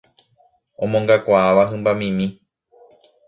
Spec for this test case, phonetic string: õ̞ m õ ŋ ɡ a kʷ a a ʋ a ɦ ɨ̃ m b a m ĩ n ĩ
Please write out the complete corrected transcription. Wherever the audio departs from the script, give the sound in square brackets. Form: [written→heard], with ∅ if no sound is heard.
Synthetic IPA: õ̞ m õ ŋ ɡ a kʷ a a ʋ a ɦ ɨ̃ m b a m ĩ [n→m] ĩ